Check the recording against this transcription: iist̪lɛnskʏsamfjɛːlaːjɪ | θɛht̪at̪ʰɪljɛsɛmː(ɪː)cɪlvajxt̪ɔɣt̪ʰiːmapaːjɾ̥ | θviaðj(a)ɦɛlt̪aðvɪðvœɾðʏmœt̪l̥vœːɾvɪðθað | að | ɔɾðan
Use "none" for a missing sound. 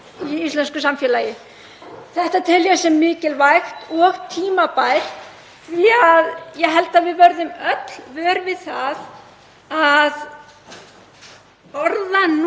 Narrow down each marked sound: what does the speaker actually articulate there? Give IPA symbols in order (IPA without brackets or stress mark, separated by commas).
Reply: ɪː, ɛ